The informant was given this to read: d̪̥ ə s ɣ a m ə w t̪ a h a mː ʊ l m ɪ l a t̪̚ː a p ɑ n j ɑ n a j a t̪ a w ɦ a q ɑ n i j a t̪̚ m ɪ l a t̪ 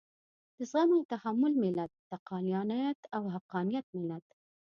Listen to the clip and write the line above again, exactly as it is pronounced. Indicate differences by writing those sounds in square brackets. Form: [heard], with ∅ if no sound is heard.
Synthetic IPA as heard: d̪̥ ə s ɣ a m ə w t̪ a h a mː ʊ l m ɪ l a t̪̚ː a [q] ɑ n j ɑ n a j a t̪ a w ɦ a q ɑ n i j a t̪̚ m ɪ l a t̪